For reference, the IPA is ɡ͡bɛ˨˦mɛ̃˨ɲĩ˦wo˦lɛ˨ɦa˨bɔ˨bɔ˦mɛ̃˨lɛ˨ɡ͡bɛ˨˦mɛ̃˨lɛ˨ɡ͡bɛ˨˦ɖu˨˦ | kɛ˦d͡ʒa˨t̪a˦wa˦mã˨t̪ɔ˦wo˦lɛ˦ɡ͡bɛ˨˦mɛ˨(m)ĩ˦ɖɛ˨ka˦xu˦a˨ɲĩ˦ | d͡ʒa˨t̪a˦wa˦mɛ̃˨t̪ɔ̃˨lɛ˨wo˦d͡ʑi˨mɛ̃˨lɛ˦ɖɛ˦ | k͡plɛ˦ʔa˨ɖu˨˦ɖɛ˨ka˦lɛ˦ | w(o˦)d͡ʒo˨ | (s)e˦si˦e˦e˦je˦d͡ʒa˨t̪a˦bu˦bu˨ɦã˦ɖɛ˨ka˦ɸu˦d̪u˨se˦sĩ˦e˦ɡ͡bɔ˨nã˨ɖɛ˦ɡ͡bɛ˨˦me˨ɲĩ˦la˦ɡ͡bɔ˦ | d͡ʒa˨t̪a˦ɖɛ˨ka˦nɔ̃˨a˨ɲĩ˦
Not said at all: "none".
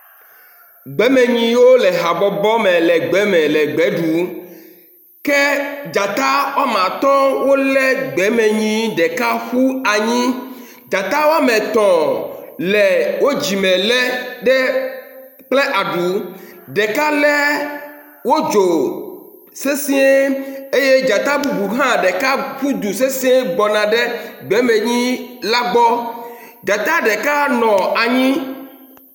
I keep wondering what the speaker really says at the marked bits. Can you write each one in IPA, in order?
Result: ɲ, o˦, s

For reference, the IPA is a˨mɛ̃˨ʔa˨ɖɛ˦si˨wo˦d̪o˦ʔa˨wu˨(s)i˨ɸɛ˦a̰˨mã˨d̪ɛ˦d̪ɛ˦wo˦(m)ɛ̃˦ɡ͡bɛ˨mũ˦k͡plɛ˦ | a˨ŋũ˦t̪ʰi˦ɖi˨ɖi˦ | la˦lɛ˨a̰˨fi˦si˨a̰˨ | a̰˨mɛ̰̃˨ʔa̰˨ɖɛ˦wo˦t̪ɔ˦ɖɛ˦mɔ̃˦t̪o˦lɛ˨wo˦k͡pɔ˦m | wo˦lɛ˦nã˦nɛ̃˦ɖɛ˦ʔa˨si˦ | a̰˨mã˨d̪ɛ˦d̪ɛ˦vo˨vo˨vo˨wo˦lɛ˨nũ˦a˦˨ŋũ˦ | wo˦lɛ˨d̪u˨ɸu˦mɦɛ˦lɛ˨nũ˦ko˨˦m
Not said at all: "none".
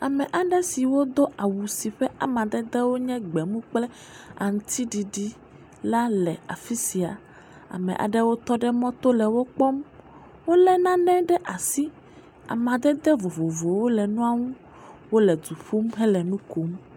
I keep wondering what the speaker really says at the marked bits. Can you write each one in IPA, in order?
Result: s, ɲ

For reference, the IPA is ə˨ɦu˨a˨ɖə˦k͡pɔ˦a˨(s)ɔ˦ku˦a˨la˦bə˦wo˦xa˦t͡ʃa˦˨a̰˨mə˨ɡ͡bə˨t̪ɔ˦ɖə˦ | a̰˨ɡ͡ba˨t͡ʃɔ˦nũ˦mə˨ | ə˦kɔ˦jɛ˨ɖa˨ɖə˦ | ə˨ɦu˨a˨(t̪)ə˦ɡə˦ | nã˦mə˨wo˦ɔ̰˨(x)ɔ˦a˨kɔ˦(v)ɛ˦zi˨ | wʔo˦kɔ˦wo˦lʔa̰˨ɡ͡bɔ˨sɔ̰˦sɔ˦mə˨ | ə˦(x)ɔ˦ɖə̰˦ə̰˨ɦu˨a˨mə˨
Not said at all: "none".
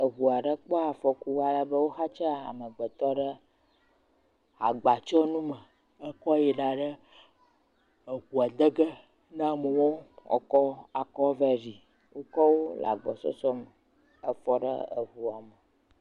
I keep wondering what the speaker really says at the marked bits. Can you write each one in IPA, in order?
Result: f, d̪, k, v, f

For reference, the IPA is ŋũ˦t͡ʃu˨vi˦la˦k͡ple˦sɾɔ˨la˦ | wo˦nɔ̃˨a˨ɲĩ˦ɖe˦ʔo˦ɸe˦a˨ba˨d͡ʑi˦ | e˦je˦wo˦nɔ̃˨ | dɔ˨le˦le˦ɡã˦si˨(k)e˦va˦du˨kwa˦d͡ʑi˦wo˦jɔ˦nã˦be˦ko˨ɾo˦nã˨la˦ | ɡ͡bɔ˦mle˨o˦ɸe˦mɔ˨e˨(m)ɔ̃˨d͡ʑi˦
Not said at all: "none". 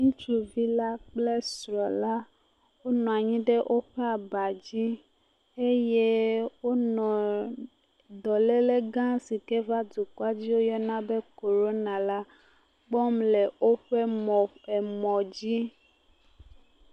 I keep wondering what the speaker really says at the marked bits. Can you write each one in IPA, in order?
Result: k, m

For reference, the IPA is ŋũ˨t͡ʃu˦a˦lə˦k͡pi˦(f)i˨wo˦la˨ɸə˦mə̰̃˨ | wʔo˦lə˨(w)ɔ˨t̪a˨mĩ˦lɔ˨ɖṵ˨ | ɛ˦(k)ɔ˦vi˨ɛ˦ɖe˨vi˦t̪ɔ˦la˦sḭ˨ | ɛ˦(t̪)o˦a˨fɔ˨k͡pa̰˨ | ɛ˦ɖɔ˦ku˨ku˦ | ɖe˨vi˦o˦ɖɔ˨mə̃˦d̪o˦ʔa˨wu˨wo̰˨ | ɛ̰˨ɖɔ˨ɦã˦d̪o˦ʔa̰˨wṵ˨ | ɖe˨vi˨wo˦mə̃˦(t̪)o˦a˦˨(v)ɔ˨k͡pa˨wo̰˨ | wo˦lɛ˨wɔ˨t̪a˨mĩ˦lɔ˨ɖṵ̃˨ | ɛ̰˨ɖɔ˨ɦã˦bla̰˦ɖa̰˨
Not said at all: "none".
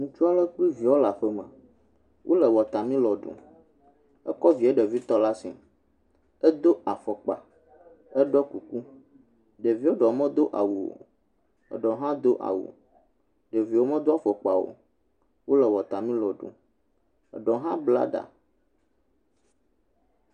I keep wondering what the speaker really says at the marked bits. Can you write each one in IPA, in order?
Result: v, w, k, d̪, d̪, f

